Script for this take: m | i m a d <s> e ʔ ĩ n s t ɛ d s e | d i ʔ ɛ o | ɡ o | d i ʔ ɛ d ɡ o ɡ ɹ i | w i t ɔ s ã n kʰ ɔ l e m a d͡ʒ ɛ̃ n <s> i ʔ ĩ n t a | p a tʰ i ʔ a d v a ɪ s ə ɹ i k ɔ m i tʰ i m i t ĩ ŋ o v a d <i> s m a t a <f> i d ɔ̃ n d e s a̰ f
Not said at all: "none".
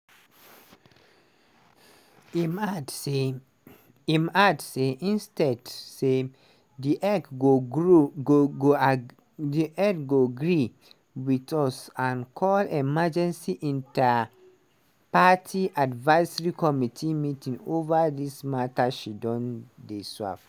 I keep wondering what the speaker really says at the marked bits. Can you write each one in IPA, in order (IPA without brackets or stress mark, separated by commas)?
s, s, i, ʃ